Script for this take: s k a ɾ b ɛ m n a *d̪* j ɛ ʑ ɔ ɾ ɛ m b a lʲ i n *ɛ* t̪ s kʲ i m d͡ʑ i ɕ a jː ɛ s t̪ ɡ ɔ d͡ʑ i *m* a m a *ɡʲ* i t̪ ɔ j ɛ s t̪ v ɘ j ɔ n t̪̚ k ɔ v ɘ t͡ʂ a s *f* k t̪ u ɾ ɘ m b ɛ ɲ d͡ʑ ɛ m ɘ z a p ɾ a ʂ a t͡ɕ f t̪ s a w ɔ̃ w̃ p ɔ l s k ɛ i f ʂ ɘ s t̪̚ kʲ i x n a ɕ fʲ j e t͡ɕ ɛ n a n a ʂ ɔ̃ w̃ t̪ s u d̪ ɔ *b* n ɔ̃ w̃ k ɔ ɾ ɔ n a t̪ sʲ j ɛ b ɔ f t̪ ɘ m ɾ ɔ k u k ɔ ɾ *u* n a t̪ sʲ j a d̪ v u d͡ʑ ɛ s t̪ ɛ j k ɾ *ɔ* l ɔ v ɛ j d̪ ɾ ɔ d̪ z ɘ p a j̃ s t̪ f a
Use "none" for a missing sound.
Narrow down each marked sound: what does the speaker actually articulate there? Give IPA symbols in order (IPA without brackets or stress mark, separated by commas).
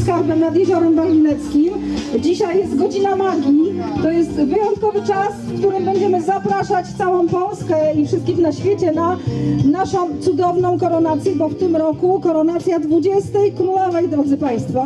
d̪, ɛ, n, ɡʲ, f, v, ɔ, u